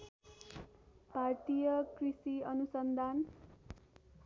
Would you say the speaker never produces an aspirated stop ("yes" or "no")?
yes